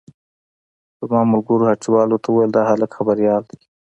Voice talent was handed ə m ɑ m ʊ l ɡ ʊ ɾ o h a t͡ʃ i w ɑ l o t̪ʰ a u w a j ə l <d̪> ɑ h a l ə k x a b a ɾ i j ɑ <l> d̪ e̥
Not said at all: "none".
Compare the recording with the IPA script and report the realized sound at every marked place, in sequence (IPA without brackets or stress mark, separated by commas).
d̪, l